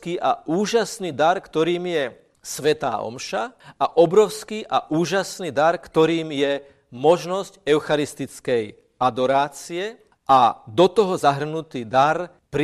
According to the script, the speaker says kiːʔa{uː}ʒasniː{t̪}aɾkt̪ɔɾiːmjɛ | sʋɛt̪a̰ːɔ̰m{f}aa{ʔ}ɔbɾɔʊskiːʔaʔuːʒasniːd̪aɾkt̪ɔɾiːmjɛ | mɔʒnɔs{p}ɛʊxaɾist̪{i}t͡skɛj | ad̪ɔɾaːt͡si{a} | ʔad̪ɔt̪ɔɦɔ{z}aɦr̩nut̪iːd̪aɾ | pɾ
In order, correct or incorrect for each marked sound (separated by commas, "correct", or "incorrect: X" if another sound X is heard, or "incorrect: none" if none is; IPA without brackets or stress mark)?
correct, incorrect: d̪, incorrect: ʃ, correct, incorrect: c, correct, incorrect: ɛ, correct